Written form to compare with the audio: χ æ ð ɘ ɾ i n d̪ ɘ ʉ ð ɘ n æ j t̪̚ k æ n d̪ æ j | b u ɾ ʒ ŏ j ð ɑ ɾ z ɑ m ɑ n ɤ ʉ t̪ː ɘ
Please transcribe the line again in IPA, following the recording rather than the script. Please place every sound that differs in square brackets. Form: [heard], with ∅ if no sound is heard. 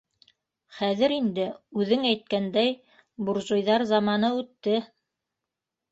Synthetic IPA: χ æ ð ɘ ɾ i n d̪ ɘ ʉ ð ɘ [ŋ] æ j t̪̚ k æ n d̪ æ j | b u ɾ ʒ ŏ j ð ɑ ɾ z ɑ m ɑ n ɤ ʉ t̪ː ɘ